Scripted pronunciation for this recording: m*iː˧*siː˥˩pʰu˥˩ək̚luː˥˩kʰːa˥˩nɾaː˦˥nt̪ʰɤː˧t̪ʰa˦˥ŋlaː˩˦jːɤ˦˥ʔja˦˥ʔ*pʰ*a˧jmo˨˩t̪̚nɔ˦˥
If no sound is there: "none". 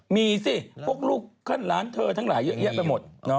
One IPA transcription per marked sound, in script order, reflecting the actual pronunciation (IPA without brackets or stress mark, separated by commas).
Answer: iː˧, p